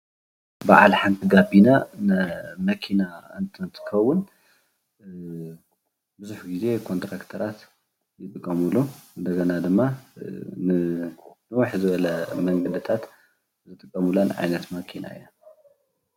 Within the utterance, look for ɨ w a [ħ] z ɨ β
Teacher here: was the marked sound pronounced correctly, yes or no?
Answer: yes